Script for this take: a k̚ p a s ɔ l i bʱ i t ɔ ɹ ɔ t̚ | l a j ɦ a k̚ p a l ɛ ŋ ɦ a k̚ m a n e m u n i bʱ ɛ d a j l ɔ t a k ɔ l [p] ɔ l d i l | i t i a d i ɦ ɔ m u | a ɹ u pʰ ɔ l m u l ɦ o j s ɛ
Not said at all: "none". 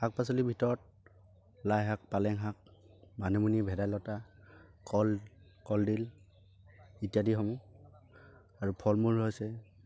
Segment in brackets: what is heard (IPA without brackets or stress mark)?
k